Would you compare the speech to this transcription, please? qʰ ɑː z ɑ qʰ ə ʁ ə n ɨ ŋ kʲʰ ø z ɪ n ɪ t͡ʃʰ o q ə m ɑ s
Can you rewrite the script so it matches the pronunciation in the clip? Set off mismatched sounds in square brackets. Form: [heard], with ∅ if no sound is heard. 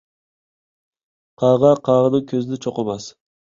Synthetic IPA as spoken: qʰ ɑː [ʁ] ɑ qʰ [ɑ] ʁ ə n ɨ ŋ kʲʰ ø z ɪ n ɪ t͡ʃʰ o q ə m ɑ s